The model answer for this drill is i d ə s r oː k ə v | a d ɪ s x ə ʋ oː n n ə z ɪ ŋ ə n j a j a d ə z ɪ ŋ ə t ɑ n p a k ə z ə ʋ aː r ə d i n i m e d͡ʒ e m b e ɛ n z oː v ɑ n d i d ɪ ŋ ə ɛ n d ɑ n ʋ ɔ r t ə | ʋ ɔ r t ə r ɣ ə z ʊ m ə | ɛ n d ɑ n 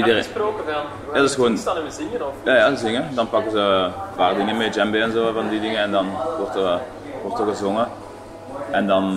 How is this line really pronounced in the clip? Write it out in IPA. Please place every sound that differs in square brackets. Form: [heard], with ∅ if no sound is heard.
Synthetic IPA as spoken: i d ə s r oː k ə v | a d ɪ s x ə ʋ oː n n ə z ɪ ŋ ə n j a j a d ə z ɪ ŋ ə [d] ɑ n p [ɑ] k ə z ə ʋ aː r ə d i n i m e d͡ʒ [ɛ] m b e ɛ n z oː v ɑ n d i d ɪ ŋ ə ɛ n d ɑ n ʋ ɔ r t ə | ʋ ɔ r t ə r ɣ ə z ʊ [ŋ] ə | ɛ n d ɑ n